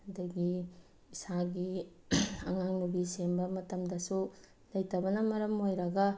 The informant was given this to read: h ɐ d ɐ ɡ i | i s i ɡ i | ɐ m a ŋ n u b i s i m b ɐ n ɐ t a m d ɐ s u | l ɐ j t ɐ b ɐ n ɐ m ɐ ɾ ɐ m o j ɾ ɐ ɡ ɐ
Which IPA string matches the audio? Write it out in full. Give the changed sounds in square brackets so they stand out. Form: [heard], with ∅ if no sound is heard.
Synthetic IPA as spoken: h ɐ d ɐ ɡ i | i s [a] ɡ i | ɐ [ŋ] a ŋ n u b i s [e] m b ɐ [m] ɐ t [ɐ] m d ɐ s u | l ɐ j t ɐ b ɐ n ɐ m ɐ ɾ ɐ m o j ɾ ɐ ɡ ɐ